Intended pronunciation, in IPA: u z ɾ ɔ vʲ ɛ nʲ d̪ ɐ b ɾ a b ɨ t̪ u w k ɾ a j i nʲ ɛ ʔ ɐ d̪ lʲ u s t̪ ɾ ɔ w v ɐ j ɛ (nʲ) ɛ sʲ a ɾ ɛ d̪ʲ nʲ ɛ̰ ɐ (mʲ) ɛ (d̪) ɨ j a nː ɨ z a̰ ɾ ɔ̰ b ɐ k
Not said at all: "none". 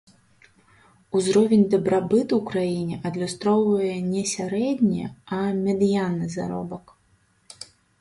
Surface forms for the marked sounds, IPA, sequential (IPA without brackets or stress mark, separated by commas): nʲ, mʲ, d̪